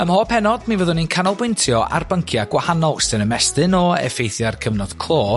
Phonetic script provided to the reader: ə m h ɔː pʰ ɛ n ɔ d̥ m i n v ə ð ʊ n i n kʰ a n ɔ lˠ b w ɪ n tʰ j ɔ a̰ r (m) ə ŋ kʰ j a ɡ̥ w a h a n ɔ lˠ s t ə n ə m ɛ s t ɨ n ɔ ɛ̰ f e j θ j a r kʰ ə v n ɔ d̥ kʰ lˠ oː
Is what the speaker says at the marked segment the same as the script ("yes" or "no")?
no